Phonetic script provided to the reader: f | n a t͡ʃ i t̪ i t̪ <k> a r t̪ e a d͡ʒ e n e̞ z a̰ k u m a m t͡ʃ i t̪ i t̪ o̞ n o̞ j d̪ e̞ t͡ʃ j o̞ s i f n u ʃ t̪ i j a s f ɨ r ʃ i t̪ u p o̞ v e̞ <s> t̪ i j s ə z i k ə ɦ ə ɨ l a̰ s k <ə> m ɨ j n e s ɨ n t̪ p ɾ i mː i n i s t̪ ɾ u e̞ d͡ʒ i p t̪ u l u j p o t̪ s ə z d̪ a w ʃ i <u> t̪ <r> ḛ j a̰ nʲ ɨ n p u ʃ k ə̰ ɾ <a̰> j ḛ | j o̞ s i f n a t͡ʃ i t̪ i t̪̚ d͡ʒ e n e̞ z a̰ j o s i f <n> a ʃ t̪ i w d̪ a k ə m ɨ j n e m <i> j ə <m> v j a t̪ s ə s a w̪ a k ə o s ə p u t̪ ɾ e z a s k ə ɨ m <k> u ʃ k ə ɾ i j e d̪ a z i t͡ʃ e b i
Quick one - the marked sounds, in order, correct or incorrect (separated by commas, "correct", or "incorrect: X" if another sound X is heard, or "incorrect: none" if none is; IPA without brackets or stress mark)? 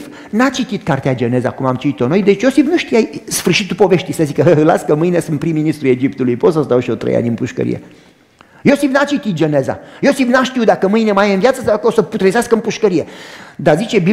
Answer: correct, incorrect: ʃ, correct, incorrect: o, incorrect: ɾ, incorrect: ḭ, correct, incorrect: a, incorrect: n, incorrect: p